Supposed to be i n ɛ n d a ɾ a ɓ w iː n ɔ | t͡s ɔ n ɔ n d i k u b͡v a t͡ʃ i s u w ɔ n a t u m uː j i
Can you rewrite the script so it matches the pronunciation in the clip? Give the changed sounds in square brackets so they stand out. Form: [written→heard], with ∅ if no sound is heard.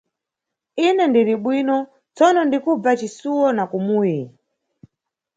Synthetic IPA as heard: i n ɛ n d [a→i] ɾ [a→i] ɓ w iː n ɔ | t͡s ɔ n ɔ n d i k u b͡v a t͡ʃ i s u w ɔ n a [t→k] u m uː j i